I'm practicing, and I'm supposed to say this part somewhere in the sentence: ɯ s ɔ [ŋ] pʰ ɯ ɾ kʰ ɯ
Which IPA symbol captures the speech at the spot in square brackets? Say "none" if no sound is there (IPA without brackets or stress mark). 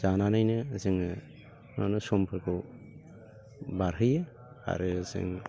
m